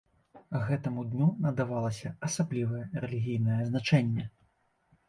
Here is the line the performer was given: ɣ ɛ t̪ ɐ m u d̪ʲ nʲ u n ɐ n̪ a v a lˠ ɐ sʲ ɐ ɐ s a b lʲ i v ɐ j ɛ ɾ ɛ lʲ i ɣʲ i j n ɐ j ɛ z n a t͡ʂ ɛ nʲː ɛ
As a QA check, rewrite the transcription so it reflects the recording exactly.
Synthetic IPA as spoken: ɣ ɛ t̪ ɐ m u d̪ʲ nʲ u n ɐ d̪ a v a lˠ ɐ sʲ ɐ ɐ s a b lʲ i v ɐ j ɛ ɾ ɛ lʲ i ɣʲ i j n ɐ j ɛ z n a t͡ʂ ɛ nʲː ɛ

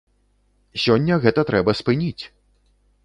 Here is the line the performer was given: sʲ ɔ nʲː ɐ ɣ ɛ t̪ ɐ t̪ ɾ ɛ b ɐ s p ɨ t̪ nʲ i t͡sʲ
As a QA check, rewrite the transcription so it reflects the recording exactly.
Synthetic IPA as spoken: sʲ ɔ nʲː ɐ ɣ ɛ t̪ ɐ t̪ ɾ ɛ b ɐ s p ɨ nʲ i t͡sʲ

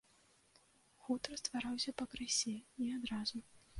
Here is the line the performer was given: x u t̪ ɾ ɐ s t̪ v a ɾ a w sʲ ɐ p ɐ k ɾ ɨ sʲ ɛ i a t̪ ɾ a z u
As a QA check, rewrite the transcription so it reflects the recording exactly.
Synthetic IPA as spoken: x u t̪ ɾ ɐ s t̪ v a ɾ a w sʲ ɐ p ɐ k ɾ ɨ sʲ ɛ i a d̪ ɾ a z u

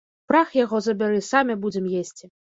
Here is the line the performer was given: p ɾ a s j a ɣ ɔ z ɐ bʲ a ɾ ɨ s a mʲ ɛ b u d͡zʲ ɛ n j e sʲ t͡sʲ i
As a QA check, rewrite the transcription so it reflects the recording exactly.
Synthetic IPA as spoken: p ɾ a x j a ɣ ɔ z ɐ bʲ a ɾ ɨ s a mʲ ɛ b u d͡zʲ ɛ m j e sʲ t͡sʲ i

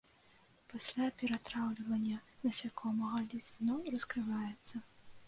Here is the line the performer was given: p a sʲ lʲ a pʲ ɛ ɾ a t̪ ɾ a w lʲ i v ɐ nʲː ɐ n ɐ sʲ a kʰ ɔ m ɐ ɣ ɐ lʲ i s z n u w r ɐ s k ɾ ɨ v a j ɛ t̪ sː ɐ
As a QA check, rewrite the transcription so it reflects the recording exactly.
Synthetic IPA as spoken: p a sʲ lʲ a pʲ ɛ ɾ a t̪ ɾ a w lʲ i v ɐ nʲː ɐ n ɐ sʲ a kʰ ɔ m ɐ ɣ ɐ lʲ i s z n ɔ w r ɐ s k ɾ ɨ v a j ɛ t̪ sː ɐ

